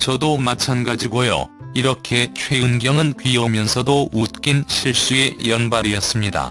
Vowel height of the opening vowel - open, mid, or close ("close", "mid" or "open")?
mid